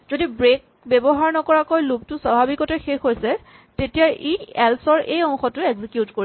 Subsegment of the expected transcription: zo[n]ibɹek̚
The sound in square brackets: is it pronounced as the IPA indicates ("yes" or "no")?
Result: no